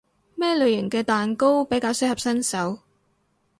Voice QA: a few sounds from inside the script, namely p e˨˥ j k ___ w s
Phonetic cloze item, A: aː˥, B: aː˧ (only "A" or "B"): B